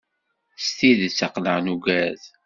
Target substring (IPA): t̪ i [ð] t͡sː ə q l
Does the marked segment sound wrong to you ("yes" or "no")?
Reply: no